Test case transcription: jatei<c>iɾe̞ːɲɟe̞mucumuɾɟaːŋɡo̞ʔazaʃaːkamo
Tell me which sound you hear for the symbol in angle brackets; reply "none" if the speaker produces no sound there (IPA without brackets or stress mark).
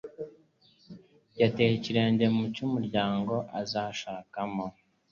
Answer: c